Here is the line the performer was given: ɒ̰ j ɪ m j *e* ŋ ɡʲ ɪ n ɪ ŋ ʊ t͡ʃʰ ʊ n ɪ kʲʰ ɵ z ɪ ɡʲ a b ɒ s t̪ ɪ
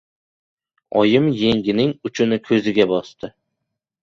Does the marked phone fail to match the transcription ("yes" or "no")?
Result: no